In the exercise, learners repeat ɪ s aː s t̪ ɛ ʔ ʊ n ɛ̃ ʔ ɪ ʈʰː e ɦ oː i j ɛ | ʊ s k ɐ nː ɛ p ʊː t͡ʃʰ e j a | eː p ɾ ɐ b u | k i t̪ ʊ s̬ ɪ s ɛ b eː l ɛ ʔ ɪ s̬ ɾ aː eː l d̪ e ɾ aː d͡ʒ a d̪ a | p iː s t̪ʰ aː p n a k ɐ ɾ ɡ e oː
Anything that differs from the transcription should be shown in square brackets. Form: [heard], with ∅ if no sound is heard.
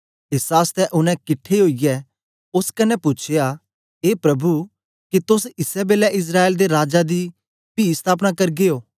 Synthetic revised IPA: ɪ s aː s t̪ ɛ ʔ ʊ n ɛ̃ [k] ɪ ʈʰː e ɦ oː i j ɛ | ʊ s k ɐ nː ɛ p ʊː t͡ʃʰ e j a | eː p ɾ ɐ b u | k i t̪ ʊ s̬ ɪ s ɛ b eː l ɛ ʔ ɪ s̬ ɾ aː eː l d̪ e ɾ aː d͡ʒ a d̪ [i] | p iː s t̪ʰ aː p n a k ɐ ɾ ɡ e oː